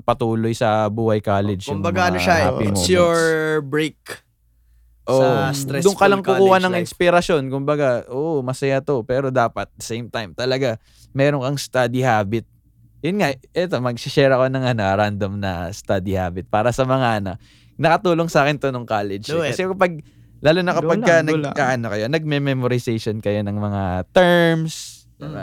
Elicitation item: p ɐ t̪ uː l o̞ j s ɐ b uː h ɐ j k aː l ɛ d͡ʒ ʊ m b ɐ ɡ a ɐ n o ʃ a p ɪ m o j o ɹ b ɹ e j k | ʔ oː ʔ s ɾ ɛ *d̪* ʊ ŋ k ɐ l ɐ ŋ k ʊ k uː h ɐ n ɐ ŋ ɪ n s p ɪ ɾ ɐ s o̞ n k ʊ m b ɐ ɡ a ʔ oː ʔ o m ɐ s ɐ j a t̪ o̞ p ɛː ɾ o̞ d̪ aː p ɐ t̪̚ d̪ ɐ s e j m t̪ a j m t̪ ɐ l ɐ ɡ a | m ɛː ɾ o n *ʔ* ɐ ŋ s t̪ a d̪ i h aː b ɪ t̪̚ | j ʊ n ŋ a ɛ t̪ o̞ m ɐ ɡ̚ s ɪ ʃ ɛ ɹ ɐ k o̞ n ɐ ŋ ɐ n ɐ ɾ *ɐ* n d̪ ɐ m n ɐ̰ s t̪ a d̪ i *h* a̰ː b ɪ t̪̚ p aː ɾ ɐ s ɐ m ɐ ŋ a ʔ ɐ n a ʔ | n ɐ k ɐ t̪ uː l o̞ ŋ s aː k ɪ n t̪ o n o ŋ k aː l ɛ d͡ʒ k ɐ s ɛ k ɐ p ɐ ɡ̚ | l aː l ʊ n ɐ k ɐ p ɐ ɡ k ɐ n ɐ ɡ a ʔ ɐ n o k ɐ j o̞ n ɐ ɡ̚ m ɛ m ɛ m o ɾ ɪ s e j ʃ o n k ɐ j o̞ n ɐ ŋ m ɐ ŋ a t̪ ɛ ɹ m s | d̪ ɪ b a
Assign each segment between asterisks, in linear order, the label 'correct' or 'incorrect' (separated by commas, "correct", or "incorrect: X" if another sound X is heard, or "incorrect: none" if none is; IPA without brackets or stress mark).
correct, incorrect: k, incorrect: a, correct